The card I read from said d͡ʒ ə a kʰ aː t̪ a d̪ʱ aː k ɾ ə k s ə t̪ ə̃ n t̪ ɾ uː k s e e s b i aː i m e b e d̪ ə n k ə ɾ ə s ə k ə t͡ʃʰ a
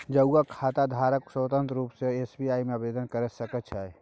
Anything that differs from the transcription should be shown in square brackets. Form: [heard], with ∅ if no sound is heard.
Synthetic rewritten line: d͡ʒ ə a kʰ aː t̪ a d̪ʱ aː [∅] ɾ ə k s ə t̪ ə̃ n t̪ ɾ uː [p] s e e s b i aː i m e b e d̪ ə n k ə ɾ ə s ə k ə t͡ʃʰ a